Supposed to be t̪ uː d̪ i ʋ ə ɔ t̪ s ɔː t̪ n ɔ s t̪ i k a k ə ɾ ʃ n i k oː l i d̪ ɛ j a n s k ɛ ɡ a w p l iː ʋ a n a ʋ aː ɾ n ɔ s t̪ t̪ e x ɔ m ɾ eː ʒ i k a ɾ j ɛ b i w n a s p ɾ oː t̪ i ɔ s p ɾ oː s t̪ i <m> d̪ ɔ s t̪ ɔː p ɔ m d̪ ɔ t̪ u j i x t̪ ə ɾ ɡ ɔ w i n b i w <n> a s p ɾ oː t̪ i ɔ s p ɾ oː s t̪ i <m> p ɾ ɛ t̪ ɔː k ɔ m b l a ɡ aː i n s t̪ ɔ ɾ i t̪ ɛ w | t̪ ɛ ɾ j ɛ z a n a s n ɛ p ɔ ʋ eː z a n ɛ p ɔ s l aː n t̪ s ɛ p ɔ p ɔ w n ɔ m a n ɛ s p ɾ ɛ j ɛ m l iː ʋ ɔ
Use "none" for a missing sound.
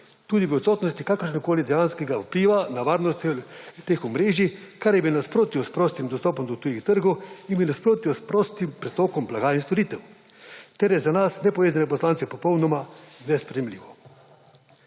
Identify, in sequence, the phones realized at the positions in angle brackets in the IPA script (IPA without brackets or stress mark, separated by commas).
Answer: m, n, m